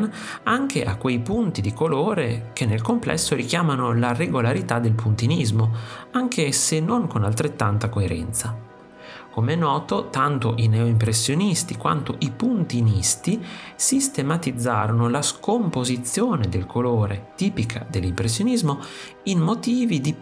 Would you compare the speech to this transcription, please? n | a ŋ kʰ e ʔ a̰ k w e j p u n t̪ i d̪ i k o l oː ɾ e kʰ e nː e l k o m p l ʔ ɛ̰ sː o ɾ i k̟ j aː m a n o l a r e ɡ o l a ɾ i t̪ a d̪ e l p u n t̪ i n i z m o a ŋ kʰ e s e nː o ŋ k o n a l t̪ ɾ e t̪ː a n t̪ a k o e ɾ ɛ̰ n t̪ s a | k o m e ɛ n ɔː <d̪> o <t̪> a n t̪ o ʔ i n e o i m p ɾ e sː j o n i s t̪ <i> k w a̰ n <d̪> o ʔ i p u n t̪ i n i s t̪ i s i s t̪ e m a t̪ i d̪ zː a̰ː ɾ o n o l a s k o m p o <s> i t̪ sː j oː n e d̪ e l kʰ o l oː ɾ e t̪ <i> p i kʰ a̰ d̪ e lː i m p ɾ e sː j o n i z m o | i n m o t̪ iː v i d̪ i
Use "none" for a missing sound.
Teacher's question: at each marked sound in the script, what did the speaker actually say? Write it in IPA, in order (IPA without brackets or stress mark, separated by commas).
t̪, t̪, i, t̪, z, iː